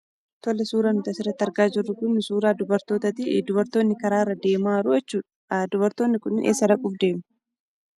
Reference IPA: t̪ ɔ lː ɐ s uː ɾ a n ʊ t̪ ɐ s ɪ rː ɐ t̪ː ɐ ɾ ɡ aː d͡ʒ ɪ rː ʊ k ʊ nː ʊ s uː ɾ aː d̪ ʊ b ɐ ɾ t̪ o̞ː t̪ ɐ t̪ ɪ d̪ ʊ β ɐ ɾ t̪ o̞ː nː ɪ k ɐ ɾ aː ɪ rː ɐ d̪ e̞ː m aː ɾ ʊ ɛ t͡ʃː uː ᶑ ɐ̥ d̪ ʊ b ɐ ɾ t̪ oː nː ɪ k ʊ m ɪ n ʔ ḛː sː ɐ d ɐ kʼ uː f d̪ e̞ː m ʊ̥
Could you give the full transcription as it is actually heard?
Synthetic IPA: t̪ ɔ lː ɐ s uː ɾ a n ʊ t̪ ɐ s ɪ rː ɐ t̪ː ɐ ɾ ɡ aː d͡ʒ ɪ rː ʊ k ʊ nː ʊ s uː ɾ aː d̪ ʊ b ɐ ɾ t̪ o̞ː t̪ ɐ t̪ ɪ d̪ ʊ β ɐ ɾ t̪ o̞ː nː ɪ k ɐ ɾ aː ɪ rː ɐ d̪ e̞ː m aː ɾ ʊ ɛ t͡ʃː uː ᶑ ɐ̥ d̪ ʊ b ɐ ɾ t̪ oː nː ɪ k ʊ n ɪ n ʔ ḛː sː ɐ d ɐ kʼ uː f d̪ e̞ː m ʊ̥